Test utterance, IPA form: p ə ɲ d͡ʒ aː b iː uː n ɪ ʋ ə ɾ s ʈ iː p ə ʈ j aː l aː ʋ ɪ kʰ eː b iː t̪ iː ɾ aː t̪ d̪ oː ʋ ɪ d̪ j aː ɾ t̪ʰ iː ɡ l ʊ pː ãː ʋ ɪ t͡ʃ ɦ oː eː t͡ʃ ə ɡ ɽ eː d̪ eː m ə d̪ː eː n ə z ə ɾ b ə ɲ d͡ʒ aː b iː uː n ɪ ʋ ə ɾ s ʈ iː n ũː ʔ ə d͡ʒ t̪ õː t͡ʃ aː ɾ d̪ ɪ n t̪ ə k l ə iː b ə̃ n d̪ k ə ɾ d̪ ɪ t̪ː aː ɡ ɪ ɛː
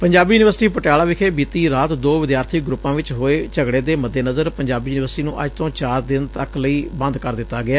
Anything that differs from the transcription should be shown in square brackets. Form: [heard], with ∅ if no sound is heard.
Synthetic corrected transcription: p ə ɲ d͡ʒ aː b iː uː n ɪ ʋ ə ɾ s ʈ iː p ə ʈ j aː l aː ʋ ɪ kʰ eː b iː t̪ iː ɾ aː t̪ d̪ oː ʋ ɪ d̪ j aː ɾ t̪ʰ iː ɡ [ɾ] ʊ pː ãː ʋ ɪ t͡ʃ ɦ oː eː t͡ʃ ə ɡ ɽ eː d̪ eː m ə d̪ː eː n ə z ə ɾ [p] ə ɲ d͡ʒ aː b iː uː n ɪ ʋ ə ɾ s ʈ iː n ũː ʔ ə d͡ʒ t̪ õː t͡ʃ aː ɾ d̪ ɪ n t̪ ə k l ə iː b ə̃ n d̪ k ə ɾ d̪ ɪ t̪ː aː ɡ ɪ [aː]